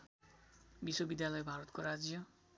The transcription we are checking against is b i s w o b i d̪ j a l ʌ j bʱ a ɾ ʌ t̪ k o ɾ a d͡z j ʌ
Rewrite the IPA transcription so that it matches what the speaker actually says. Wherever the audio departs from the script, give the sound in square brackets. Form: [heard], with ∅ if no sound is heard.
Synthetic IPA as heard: b i s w o b i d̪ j a l ʌ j bʱ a ɾ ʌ t̪ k o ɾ a d͡z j ʌ